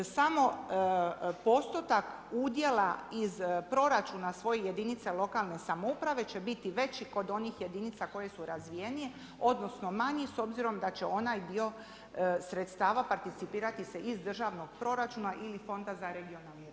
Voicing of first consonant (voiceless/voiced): voiceless